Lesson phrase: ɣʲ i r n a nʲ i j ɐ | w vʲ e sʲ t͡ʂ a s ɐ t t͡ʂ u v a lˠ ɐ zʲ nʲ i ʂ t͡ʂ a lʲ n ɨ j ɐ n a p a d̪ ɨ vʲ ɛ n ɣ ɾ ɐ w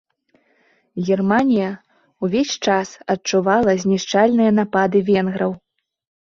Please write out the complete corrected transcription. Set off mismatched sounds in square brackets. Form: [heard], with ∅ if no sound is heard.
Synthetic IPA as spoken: ɣʲ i r [m] a nʲ i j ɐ | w vʲ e sʲ t͡ʂ a s ɐ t t͡ʂ u v a lˠ ɐ zʲ nʲ i ʂ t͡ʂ a lʲ n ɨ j ɐ n a p a d̪ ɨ vʲ ɛ n ɣ ɾ ɐ w